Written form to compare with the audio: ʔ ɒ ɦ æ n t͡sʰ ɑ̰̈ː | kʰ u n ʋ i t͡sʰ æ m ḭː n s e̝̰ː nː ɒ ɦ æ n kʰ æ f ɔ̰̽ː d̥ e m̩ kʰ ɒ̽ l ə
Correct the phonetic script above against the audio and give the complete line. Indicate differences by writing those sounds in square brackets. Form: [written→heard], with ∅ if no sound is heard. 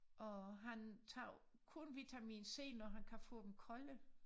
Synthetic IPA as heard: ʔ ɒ ɦ æ n t͡sʰ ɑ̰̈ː | kʰ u n ʋ i t͡sʰ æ m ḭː n s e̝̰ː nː ɒ ɦ æ n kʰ æ f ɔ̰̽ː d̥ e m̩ kʰ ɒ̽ l ə